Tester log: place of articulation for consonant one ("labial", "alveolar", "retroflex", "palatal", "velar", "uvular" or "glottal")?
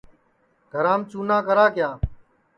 velar